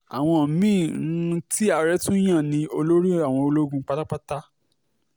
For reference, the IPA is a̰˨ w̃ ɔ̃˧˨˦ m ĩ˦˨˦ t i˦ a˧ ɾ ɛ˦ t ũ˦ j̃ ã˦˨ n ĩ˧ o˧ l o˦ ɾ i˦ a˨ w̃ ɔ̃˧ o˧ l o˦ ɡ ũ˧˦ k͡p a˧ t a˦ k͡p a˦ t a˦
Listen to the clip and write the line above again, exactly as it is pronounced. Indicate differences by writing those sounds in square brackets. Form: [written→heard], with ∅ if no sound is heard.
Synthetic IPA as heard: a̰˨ w̃ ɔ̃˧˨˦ m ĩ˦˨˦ t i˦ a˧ ɾ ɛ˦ t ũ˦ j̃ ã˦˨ n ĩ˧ o˧ l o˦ ɾ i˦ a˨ w̃ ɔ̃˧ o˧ l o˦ ɡ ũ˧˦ k͡p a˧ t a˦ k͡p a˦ t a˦